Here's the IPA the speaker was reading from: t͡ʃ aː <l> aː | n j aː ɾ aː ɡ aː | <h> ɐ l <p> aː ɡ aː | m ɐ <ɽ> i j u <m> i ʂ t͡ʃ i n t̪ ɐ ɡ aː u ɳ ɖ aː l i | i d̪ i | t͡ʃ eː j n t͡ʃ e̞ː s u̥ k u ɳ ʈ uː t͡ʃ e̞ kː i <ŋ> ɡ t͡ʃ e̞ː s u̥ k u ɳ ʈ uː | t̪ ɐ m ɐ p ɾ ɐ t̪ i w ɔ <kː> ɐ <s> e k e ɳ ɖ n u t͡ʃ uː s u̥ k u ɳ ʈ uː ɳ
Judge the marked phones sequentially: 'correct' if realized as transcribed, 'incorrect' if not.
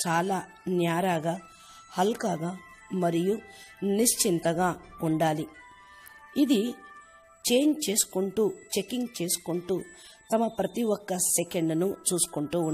correct, correct, incorrect, incorrect, incorrect, correct, correct, correct

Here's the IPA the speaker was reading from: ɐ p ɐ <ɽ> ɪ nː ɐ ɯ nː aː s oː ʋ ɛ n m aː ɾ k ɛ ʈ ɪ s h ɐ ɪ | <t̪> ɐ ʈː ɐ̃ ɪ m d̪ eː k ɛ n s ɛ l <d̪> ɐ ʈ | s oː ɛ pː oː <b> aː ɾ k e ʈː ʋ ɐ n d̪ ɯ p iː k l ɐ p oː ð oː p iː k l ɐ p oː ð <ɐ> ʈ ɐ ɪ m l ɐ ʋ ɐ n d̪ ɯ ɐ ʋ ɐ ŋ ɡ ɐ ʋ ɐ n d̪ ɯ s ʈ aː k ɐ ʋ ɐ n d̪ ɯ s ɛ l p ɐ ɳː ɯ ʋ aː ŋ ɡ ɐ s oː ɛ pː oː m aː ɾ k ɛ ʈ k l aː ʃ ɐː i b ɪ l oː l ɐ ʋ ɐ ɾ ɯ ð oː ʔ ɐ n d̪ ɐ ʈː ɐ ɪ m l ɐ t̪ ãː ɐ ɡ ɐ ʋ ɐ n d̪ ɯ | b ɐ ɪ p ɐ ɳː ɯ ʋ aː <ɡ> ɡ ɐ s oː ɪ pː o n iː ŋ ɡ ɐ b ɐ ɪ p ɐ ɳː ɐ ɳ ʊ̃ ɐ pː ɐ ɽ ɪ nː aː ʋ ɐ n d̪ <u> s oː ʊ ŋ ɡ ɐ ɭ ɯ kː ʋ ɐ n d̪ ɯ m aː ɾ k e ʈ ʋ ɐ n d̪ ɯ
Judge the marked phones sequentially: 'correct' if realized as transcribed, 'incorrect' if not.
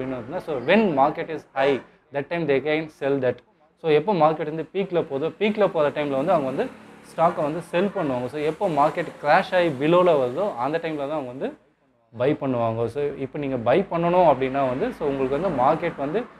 correct, incorrect, correct, incorrect, correct, incorrect, incorrect

